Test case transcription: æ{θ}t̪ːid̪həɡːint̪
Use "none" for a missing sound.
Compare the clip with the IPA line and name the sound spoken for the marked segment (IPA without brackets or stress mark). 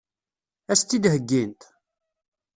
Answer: s